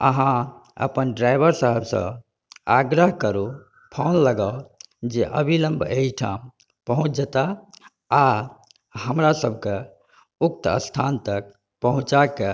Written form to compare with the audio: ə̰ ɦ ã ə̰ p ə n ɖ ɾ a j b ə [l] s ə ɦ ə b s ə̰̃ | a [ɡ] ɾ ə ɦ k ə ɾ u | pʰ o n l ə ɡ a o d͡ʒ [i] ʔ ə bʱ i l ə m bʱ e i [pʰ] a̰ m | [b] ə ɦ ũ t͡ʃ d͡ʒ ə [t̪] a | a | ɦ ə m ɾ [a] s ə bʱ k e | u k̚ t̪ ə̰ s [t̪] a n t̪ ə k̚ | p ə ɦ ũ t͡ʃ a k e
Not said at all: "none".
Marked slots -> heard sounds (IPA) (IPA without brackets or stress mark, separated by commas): ɾ, ɡ, e, ʈʰ, p, t̪, a, t̪ʰ